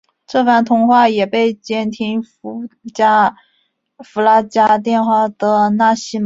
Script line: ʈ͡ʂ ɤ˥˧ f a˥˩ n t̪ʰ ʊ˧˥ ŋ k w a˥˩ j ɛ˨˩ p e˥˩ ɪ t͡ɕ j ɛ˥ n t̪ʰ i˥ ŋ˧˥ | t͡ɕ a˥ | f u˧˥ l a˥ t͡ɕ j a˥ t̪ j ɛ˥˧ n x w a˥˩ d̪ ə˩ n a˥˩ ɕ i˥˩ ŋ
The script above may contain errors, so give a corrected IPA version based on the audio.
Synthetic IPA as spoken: ʈ͡ʂ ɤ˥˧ f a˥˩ n t̪ʰ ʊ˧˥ ŋ x w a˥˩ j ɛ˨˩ p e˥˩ ɪ t͡ɕ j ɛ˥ n t̪ʰ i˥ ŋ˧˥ | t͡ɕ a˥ | f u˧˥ l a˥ t͡ɕ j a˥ t̪ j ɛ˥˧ n x w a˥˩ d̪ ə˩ n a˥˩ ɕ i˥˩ m

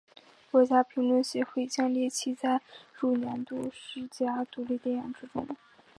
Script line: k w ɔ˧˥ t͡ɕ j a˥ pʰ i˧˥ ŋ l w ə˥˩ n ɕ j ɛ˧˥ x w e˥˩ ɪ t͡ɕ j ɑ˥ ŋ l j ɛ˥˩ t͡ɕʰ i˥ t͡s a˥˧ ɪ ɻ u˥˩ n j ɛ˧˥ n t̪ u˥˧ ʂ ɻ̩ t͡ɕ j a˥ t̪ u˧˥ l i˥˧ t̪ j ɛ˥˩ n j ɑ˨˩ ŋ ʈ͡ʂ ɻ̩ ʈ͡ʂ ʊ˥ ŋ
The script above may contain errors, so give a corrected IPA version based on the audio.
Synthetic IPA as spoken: k w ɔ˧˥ t͡ɕ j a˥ pʰ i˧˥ ŋ l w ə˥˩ n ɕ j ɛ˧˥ x w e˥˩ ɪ t͡ɕ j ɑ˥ ŋ l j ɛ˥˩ t͡ɕʰ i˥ t͡s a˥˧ ɪ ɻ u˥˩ n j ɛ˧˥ n t̪ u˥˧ ʂ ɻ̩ t͡ɕ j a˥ t̪ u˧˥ l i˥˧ t̪ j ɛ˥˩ n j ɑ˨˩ ŋ ʈ͡ʂ ɻ̩ ʈ͡ʂ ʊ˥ ŋ

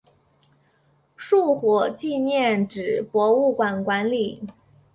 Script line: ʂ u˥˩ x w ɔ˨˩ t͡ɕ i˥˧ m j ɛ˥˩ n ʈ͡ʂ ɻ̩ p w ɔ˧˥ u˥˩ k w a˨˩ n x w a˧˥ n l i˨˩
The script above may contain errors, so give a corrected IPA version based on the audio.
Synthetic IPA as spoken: ʂ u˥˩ x w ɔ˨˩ t͡ɕ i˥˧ n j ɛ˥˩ n ʈ͡ʂ ɻ̩ p w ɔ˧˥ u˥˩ k w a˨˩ n k w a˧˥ n l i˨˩

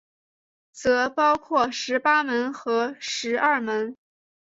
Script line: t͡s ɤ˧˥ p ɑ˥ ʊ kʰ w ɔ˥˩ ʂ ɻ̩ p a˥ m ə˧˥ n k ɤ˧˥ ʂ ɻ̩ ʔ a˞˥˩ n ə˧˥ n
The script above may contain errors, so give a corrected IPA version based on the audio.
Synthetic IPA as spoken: t͡s ɤ˧˥ p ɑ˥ ʊ kʰ w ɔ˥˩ ʂ ɻ̩ p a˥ m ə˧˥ n x ɤ˧˥ ʂ ɻ̩ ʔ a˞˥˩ m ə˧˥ n

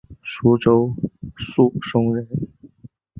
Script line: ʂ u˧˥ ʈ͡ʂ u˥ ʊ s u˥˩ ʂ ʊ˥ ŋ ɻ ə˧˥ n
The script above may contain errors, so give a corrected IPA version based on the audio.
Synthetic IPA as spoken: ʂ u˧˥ ʈ͡ʂ o˥ ʊ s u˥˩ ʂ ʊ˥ ŋ ɻ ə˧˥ n

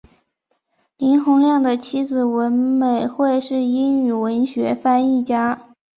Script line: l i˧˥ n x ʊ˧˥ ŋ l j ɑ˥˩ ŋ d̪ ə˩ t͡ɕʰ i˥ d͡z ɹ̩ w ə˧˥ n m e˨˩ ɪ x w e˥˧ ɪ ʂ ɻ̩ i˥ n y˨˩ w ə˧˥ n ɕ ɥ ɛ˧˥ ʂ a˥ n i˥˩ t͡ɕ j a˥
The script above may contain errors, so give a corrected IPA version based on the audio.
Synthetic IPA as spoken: l i˧˥ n x ʊ˧˥ ŋ l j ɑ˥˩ ŋ d̪ ə˩ t͡ɕʰ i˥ d͡z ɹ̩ w ə˧˥ n m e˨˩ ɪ x w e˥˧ ɪ ʂ ɻ̩ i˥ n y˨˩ w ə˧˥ n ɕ ɥ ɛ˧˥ f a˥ n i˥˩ t͡ɕ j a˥

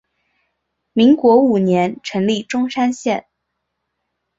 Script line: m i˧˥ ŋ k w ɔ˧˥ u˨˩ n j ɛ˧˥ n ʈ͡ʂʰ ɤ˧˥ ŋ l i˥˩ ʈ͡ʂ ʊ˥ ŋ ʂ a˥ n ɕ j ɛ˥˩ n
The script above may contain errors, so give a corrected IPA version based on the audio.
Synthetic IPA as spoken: m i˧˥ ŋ k w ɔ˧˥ u˨˩ n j ɛ˧˥ n ʈ͡ʂʰ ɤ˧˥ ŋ l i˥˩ ʈ͡ʂ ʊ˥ ŋ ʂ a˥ n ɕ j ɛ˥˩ n

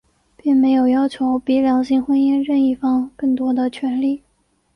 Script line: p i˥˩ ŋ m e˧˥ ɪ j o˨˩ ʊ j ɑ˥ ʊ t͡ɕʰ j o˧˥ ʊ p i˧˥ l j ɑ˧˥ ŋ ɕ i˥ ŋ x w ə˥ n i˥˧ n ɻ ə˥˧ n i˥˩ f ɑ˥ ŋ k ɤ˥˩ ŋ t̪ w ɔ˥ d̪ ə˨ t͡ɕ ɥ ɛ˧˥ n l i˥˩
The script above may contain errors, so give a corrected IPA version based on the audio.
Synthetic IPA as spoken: p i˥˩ ŋ m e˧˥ ɪ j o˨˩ ʊ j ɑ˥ ʊ t͡ɕʰ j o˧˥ ʊ p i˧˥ l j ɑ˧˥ ŋ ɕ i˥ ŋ x w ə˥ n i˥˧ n ɻ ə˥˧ n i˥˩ f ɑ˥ ŋ k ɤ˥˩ ŋ t̪ w ɔ˥ d̪ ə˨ t͡ɕʰ ɥ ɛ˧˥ n l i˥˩

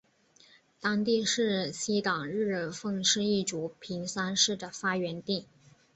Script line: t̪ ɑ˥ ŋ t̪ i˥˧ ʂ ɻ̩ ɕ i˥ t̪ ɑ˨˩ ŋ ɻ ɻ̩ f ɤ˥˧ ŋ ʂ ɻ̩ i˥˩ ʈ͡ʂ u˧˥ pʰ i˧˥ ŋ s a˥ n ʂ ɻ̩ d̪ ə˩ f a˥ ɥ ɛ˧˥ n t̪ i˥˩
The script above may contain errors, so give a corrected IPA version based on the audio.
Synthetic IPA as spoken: t̪ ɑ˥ ŋ t̪ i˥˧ ʂ ɻ̩ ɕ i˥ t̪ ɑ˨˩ ŋ ɻ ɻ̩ f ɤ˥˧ ŋ ʂ ɻ̩ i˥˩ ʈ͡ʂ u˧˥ pʰ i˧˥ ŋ s a˥ n ʂ ɻ̩ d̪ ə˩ f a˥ ɥ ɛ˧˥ n t̪ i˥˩

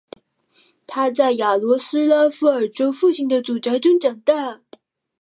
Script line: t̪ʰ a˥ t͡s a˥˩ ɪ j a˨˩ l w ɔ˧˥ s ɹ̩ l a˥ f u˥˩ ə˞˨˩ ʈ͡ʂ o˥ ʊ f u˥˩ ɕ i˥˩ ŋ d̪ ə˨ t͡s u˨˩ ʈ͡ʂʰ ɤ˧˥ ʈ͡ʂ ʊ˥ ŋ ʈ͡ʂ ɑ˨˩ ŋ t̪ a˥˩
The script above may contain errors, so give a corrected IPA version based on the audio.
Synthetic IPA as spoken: t̪ʰ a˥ t͡s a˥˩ ɪ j a˨˩ l w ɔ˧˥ s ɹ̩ l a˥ f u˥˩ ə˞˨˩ ʈ͡ʂ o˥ ʊ f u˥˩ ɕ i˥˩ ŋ d̪ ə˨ t͡s u˨˩ ʈ͡ʂ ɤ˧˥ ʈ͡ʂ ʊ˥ ŋ ʈ͡ʂ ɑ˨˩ ŋ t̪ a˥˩

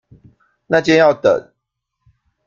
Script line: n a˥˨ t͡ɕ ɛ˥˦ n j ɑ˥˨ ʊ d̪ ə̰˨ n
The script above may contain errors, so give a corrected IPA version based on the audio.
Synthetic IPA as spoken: n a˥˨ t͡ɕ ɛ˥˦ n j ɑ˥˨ ʊ t̪ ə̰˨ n

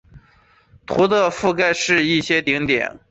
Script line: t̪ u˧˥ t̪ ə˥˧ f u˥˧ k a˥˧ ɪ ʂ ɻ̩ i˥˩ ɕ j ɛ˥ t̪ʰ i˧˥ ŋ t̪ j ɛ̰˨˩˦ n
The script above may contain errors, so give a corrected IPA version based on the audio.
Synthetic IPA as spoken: t̪ʰ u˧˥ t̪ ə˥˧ f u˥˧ k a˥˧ ɪ ʂ ɻ̩ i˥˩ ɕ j ɛ˥ t̪ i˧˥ ŋ t̪ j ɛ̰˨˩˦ n

